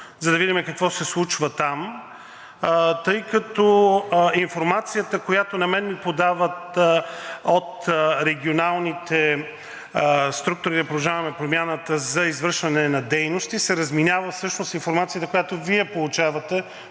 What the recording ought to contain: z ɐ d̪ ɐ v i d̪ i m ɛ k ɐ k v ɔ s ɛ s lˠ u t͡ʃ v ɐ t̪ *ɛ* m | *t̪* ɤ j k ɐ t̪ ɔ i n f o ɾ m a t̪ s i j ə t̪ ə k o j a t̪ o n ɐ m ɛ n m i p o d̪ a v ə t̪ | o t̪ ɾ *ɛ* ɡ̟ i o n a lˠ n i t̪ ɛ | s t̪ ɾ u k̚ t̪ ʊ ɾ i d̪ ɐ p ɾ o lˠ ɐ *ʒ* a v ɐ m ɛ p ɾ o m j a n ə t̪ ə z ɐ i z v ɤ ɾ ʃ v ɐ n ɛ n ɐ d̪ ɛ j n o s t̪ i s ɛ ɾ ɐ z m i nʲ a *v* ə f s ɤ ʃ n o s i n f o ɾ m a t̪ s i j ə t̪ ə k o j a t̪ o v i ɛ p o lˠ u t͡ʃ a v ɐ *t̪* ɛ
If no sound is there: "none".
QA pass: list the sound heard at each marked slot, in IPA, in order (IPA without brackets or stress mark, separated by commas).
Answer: a, t̪, ɛ, ʒ, v, t̪